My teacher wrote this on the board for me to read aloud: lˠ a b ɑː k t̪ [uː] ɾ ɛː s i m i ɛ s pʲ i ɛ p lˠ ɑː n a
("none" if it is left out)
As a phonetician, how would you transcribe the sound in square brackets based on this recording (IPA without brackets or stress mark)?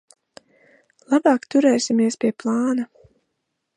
u